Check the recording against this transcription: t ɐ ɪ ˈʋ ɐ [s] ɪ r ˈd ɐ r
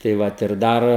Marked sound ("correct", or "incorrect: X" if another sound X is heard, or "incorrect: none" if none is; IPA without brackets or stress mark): incorrect: t